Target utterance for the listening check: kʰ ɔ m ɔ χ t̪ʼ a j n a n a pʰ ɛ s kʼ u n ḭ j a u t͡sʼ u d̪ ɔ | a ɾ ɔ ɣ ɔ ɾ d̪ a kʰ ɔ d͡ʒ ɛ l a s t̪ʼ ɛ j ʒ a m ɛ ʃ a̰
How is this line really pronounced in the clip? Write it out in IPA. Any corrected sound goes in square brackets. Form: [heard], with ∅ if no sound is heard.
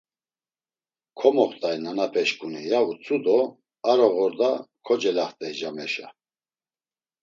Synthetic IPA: kʰ ɔ m ɔ χ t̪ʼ a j n a n a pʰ ɛ [ʃ] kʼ u n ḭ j a u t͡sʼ u d̪ ɔ | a ɾ ɔ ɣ ɔ ɾ d̪ a kʰ ɔ d͡ʒ ɛ l a [χ] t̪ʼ ɛ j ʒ a m ɛ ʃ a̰